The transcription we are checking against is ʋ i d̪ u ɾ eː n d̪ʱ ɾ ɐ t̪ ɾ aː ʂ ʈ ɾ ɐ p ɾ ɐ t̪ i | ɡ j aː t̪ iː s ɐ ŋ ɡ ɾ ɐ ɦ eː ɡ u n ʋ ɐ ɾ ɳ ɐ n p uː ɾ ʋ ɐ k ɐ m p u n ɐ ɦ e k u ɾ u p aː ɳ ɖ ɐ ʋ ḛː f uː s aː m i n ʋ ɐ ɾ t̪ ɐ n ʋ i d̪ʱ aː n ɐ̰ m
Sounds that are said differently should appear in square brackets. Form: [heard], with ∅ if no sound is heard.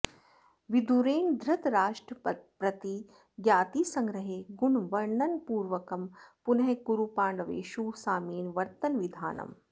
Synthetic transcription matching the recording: ʋ i d̪ u ɾ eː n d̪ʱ ɾ ɐ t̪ ɾ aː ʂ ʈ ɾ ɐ p ɾ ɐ t̪ i | ɡ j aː t̪ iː s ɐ ŋ ɡ ɾ ɐ ɦ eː ɡ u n ʋ ɐ ɾ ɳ ɐ n p uː ɾ ʋ ɐ k ɐ m p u n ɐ ɦ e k u ɾ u p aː ɳ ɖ ɐ ʋ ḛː [ʃ] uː s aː m [iː] n ʋ ɐ ɾ t̪ ɐ n ʋ i d̪ʱ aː n ɐ̰ m

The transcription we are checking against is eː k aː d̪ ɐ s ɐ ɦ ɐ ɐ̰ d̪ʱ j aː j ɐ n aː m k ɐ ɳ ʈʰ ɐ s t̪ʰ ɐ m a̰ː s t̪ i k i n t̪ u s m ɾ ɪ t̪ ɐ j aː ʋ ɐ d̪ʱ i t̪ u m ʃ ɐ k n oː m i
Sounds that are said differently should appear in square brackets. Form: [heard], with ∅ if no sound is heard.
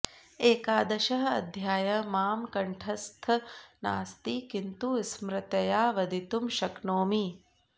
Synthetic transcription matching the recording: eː k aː d̪ ɐ [ʃ] ɐ ɦ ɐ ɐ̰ d̪ʱ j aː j ɐ [m] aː m k ɐ ɳ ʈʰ ɐ s t̪ʰ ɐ [n] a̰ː s t̪ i k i n t̪ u s m ɾ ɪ t̪ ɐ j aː ʋ ɐ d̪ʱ i t̪ u m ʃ ɐ k n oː m i

